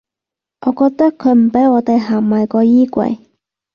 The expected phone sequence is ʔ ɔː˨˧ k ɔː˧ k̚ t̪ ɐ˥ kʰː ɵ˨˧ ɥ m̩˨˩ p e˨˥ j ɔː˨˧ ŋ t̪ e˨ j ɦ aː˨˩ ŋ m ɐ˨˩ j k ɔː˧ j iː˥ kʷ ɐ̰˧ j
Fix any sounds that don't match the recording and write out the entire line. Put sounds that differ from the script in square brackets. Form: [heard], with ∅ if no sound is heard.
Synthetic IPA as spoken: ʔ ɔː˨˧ k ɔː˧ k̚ t̪ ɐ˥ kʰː ɵ˨˧ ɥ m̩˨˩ p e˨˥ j ɔː˨˧ [∅] t̪ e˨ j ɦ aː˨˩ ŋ m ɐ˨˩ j k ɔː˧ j iː˥ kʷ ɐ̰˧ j